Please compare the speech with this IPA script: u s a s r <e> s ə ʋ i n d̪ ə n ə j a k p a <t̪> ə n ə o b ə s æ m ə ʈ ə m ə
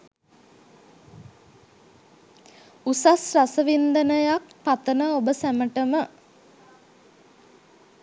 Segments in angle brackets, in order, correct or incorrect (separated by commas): incorrect, correct